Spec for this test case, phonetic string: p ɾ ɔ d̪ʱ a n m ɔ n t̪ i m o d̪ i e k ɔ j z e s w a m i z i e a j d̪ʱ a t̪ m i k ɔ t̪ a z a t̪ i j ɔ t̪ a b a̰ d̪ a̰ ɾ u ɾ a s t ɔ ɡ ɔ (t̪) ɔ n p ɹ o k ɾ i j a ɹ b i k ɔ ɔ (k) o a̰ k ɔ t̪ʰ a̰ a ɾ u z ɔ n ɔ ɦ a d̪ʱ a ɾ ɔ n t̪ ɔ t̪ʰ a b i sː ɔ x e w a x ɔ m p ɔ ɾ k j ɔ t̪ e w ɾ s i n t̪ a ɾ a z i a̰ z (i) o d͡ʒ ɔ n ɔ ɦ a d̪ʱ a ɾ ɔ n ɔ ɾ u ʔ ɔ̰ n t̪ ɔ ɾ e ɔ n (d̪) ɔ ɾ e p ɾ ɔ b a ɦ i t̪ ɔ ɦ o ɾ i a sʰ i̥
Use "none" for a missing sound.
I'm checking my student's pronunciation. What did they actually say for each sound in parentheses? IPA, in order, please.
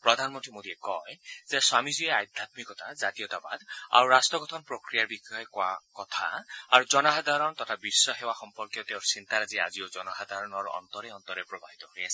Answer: t̪ʰ, k, i, t̪

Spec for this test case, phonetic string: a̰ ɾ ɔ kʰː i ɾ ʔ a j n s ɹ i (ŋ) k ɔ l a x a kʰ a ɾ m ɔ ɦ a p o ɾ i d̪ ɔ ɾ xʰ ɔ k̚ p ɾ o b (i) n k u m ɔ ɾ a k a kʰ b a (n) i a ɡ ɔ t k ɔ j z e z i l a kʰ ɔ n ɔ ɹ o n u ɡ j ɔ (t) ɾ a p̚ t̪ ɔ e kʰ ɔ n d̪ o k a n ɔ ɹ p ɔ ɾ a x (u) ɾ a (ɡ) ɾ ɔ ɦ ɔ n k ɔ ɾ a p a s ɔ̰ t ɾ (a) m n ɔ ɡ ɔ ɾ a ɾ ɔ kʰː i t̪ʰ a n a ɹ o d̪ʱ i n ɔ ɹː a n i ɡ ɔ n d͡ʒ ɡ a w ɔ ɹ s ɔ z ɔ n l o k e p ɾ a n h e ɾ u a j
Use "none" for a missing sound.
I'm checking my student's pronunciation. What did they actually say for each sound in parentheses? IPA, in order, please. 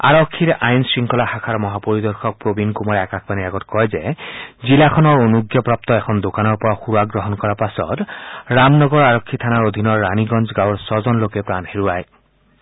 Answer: ŋ, i, n, p, u, ɡ, a

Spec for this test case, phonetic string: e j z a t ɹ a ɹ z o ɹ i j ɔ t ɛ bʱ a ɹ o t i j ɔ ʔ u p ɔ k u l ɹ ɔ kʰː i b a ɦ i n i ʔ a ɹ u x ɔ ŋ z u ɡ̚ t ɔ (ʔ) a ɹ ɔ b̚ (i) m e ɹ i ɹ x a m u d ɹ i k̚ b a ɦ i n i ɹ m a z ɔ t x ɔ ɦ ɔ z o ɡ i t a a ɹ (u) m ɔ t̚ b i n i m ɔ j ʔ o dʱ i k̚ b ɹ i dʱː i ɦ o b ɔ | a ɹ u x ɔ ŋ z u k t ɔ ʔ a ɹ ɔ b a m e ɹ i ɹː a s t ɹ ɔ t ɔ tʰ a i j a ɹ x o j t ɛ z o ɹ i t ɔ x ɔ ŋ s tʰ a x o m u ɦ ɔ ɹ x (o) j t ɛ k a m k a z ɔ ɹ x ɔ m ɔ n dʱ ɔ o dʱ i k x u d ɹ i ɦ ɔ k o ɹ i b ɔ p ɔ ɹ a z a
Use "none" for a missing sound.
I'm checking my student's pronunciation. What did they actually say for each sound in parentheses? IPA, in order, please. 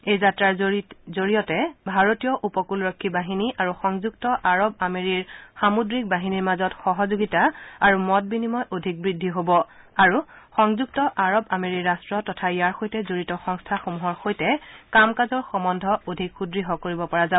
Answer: ʔ, a, u, o

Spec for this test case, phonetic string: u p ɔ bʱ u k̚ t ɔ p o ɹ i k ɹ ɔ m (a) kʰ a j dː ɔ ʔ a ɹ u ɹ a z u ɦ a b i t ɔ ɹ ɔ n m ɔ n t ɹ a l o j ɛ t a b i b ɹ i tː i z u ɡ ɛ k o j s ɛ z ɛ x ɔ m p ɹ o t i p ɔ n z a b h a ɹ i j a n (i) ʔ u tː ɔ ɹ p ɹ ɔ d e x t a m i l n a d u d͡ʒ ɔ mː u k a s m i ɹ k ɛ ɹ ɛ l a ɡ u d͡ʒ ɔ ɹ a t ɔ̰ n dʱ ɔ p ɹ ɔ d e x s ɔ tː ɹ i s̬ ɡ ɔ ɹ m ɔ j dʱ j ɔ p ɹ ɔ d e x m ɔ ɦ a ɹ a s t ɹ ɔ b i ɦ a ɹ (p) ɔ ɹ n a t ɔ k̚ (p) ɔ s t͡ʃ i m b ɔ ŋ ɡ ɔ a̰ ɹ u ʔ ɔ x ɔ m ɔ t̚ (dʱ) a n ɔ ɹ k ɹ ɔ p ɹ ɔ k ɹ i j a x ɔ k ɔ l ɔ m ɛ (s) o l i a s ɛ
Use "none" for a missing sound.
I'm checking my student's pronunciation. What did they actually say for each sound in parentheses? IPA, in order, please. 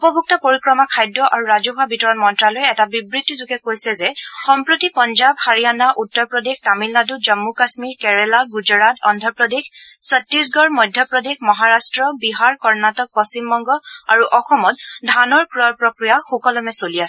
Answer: a, a, k, p, dʱ, s

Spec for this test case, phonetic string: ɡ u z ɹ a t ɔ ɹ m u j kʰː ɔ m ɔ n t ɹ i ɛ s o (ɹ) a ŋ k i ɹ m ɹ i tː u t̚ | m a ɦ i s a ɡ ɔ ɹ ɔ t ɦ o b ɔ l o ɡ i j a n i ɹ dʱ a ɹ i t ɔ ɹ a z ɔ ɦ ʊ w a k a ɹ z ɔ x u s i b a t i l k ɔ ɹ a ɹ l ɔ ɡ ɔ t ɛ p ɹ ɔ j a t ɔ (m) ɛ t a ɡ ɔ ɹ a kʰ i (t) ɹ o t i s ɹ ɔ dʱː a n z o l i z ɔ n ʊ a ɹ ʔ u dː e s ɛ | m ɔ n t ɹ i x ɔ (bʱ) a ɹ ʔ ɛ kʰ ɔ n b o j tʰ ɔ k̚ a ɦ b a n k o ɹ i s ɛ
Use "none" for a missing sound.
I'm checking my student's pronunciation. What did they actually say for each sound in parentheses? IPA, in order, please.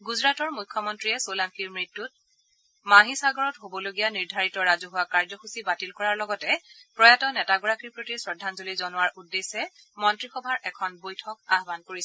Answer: l, n, p, bʱ

